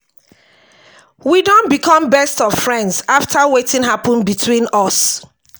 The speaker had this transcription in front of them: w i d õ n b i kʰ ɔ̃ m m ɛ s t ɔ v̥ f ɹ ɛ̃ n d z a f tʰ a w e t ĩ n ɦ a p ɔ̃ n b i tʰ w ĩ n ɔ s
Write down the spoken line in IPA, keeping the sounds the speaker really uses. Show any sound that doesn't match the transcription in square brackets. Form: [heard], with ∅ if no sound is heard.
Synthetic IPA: w i d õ n b i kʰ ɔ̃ m [b] ɛ s t ɔ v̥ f ɹ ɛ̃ n d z a f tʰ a w e t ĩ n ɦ a p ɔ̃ n b i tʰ w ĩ n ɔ s